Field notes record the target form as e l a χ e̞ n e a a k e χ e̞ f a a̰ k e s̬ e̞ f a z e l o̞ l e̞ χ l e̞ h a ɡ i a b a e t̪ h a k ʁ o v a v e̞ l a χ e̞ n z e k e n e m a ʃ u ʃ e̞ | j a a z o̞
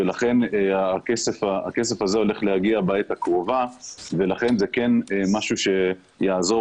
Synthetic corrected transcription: e l a χ e̞ n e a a k e s e̞ f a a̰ k e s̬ e̞ f a z e o̞ l e̞ χ l e̞ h a ɡ i a b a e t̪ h a k ʁ o v a v e̞ l a χ e̞ n z e k e n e m a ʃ u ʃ e̞ | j a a z o̞

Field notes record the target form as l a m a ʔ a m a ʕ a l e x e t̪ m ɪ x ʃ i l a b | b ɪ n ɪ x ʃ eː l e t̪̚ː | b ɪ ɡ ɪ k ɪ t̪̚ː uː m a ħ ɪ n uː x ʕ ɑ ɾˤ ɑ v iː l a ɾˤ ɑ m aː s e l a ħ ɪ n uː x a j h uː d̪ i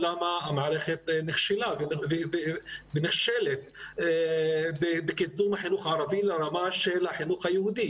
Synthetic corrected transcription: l a m a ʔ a m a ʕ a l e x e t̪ n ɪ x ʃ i l a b | b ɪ n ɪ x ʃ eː l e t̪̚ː | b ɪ b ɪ k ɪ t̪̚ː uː m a ħ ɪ n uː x ʕ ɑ ɾˤ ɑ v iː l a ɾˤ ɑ m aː ʃ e l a ħ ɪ n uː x a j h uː d̪ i

